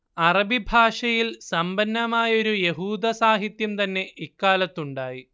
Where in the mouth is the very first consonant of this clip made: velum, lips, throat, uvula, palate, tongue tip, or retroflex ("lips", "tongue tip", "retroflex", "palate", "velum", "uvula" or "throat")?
tongue tip